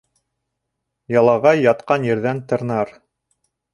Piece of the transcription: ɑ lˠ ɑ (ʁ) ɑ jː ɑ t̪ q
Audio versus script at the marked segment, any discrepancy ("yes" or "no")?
no